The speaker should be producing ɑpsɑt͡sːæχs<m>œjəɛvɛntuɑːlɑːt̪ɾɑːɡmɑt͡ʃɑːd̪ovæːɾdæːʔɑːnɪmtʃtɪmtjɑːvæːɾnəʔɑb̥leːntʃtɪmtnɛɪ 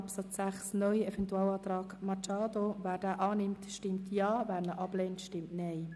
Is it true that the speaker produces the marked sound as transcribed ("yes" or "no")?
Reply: no